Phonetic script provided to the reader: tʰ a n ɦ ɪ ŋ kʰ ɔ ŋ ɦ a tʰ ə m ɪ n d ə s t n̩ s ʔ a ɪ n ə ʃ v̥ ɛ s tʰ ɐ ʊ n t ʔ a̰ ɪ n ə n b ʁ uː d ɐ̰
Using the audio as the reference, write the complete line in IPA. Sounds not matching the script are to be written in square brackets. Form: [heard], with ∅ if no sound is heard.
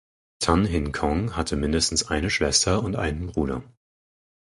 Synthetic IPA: tʰ a n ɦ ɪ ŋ kʰ ɔ ŋ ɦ a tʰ ə m ɪ n d ə s t n̩ s ʔ a ɪ n ə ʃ v̥ ɛ s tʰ ɐ ʊ n t ʔ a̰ ɪ n ə n b ʁ uː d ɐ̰